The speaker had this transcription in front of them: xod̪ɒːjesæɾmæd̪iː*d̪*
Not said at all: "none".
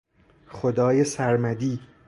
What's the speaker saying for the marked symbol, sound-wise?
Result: none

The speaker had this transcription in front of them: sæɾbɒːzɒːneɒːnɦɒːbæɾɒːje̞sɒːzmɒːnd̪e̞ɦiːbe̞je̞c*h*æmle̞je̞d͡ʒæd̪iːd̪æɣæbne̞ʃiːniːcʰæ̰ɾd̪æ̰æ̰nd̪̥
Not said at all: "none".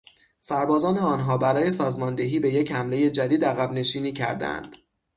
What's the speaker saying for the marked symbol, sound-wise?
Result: h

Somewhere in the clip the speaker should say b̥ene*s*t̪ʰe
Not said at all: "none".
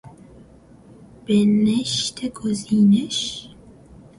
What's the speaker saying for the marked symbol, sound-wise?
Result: ʃ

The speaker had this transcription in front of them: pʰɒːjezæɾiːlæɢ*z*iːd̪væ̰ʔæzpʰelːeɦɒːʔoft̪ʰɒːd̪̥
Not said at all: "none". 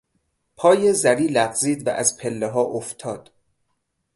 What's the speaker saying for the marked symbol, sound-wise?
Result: z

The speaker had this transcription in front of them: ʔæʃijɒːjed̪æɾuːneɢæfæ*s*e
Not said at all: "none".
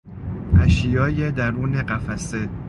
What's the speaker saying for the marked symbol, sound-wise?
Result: s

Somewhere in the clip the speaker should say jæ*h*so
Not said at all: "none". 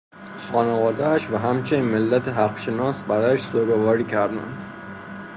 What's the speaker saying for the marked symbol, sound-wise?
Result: ʃ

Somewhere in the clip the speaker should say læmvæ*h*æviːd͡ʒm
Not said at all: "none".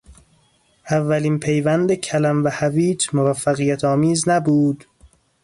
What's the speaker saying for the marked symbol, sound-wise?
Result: h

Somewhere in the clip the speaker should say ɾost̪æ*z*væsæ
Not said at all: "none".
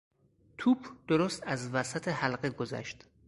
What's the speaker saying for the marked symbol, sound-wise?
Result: z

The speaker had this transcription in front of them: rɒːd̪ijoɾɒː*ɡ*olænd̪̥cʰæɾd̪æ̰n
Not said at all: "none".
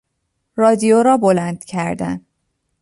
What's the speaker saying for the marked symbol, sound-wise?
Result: b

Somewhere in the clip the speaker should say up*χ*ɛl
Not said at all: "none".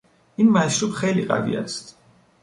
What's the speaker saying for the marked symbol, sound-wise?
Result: χ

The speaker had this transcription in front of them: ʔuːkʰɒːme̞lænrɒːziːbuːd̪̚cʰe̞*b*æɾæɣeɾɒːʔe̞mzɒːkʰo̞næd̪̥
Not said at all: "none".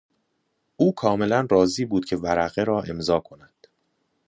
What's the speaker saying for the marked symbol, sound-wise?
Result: v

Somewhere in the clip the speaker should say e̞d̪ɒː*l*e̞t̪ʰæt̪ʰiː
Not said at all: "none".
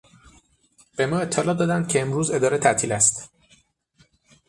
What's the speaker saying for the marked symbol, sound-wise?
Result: ɾ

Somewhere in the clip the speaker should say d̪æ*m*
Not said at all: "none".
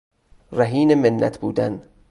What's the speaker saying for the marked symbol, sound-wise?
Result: n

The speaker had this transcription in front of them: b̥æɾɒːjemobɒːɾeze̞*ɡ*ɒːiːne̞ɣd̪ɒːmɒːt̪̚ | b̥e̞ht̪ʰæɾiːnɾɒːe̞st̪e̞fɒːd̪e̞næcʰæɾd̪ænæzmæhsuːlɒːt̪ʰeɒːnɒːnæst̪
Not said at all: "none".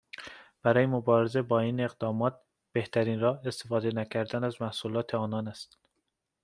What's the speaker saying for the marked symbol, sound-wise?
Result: b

